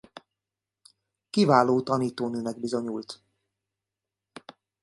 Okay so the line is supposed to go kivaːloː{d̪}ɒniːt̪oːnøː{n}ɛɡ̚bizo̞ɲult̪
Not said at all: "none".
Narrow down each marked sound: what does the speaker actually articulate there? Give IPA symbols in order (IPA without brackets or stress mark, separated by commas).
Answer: t̪, n